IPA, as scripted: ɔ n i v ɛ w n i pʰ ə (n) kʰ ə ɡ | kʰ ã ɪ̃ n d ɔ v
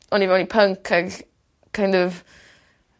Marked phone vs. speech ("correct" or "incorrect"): incorrect